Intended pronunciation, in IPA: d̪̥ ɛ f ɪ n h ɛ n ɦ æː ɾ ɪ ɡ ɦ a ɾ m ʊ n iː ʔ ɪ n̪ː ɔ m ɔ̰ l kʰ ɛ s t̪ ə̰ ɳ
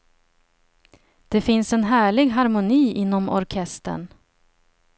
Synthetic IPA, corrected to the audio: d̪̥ ɛ f ɪ n s ɛ n ɦ æː ɭ ɪ ɡ ɦ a ɾ m ʊ n iː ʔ ɪ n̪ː ɔ m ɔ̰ ɾ kʰ ɛ s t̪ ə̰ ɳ